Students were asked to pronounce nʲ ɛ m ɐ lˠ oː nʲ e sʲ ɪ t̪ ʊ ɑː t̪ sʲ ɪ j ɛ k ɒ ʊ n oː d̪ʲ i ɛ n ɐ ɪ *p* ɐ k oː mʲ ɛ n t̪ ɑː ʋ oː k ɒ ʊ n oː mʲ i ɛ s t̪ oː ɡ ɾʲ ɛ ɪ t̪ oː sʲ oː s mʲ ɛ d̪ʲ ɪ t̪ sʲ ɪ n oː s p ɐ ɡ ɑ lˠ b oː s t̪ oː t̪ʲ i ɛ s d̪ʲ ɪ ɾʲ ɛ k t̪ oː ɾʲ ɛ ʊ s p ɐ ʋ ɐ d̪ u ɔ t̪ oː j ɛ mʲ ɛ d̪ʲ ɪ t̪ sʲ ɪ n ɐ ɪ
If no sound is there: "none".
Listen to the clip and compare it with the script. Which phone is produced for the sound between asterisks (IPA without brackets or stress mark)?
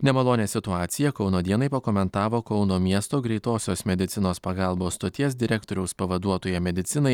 p